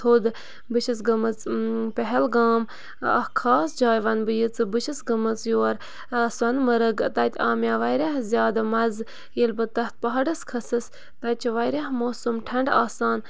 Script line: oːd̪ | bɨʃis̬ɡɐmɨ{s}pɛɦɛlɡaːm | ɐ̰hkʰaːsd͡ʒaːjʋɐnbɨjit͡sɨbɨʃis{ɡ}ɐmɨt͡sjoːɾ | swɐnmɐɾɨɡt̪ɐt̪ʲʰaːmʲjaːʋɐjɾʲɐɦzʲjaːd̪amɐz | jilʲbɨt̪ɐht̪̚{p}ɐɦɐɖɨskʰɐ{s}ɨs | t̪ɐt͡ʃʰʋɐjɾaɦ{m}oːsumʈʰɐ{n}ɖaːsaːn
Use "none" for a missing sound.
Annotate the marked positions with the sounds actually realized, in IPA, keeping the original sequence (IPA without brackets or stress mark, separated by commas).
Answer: t͡s, ɡ, p, s, m, ɳ